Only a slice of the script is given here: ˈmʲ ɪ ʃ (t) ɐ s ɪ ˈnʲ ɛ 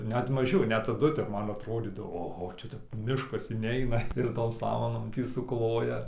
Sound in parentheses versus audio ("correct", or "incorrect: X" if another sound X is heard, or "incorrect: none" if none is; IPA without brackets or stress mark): incorrect: k